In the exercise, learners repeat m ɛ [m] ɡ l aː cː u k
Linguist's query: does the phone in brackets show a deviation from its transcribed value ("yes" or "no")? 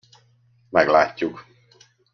yes